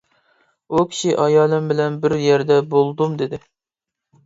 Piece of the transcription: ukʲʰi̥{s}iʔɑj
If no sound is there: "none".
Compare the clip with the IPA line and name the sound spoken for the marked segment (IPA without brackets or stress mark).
ʃ